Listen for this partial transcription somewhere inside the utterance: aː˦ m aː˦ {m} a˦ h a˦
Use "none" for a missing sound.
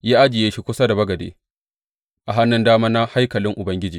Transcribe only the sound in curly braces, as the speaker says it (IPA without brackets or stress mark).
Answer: n